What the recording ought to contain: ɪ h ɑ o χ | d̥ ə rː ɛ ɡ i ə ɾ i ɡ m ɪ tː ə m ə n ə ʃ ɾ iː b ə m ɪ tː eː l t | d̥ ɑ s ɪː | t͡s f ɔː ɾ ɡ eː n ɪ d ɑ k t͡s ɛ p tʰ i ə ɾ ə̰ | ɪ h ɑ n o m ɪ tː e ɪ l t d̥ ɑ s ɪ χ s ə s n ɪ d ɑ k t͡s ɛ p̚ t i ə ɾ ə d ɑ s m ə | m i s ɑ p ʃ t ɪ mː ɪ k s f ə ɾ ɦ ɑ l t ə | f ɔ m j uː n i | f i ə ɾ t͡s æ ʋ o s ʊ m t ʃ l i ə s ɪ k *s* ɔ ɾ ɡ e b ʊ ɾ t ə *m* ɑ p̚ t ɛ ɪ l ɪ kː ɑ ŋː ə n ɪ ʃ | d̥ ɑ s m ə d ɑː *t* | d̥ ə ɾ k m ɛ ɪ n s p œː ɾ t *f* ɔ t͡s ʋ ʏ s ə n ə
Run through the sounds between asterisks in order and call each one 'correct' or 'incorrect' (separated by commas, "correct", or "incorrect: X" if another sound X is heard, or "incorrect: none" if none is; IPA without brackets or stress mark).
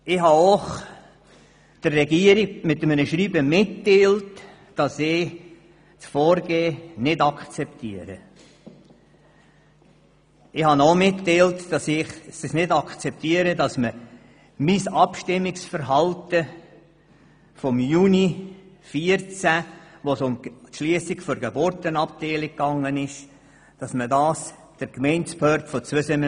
incorrect: f, incorrect: n, incorrect: s, correct